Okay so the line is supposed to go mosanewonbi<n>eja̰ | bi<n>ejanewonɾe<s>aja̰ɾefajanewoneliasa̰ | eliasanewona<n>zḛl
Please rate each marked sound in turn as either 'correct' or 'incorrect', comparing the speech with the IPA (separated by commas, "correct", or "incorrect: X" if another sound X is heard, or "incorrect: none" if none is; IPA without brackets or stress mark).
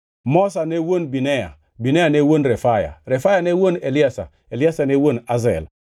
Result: correct, correct, incorrect: f, incorrect: none